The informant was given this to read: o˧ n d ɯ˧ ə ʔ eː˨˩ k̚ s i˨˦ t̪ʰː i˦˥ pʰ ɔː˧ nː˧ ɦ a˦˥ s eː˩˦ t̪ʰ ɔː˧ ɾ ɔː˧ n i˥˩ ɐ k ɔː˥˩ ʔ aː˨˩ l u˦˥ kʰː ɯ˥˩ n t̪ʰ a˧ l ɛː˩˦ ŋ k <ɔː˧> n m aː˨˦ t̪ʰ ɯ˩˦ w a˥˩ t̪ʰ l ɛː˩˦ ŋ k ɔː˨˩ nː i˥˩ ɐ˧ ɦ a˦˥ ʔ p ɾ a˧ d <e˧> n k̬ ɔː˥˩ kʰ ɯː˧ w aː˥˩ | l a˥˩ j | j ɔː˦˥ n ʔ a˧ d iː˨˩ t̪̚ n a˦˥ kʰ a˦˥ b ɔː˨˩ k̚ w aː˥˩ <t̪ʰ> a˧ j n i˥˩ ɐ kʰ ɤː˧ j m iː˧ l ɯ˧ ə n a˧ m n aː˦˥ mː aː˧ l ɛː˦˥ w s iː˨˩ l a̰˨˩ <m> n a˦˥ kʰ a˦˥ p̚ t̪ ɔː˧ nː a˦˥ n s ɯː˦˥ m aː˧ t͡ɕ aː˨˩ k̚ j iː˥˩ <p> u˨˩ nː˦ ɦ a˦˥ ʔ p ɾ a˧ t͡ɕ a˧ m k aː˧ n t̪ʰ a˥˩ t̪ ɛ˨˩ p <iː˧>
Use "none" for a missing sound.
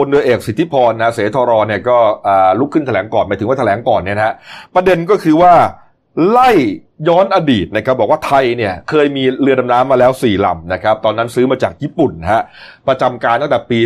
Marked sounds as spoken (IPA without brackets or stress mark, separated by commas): ɔː˨˩, e˧, t̪ʰ, m, p, iː˧